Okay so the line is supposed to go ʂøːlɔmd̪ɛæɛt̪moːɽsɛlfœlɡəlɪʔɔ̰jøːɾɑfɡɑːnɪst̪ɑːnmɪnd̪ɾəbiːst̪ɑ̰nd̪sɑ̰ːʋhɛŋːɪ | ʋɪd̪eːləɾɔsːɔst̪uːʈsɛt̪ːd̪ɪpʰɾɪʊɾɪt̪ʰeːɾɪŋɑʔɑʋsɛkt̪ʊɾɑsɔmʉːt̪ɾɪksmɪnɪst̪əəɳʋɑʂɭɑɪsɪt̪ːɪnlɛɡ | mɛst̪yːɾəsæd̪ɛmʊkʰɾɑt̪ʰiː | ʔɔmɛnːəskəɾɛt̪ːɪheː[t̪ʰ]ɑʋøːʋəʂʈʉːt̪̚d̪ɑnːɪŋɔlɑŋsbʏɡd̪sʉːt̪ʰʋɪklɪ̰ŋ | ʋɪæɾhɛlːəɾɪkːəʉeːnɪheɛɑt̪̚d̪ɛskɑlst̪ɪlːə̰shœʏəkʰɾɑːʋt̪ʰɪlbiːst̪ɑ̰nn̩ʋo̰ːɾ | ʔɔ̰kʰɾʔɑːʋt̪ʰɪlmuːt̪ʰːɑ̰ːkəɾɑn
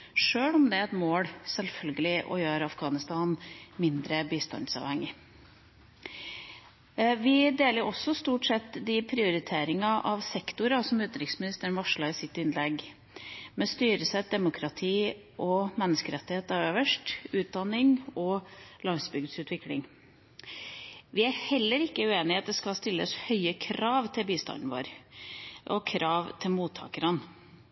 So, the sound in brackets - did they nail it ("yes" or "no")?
no